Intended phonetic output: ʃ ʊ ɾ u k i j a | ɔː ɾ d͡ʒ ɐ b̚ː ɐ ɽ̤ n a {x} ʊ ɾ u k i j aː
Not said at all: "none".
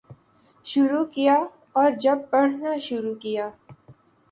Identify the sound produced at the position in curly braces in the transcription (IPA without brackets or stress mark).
ʃ